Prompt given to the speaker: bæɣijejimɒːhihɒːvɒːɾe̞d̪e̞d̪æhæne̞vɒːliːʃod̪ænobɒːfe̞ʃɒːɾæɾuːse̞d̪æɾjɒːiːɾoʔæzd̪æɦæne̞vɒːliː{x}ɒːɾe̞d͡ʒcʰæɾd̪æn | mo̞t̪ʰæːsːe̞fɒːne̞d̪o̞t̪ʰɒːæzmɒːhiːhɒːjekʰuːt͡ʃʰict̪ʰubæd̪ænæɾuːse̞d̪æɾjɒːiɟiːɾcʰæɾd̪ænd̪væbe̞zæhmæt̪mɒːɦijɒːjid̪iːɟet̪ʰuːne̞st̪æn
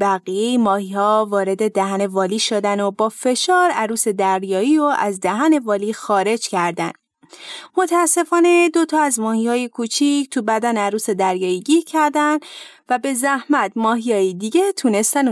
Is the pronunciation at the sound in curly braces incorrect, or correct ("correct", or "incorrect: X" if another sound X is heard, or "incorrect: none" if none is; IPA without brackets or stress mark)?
correct